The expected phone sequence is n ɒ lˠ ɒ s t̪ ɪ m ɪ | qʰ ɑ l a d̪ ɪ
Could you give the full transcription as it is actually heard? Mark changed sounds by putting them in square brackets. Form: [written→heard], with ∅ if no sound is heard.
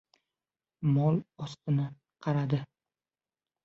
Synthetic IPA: [n→m] ɒ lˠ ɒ s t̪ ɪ [m→n] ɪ | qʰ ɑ [l→ɾ] a d̪ ɪ